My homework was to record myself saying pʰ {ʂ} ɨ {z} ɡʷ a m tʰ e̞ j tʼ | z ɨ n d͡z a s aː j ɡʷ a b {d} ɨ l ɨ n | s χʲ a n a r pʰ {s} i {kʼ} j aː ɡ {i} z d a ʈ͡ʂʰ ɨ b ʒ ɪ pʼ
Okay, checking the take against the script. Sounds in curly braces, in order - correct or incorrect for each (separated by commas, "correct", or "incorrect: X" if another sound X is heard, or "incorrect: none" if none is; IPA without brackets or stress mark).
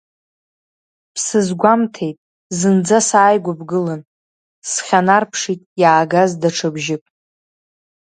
incorrect: s, correct, incorrect: ɡ, incorrect: ʂ, incorrect: tʼ, incorrect: a